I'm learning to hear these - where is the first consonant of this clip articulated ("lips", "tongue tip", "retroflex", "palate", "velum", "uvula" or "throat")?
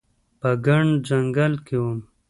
lips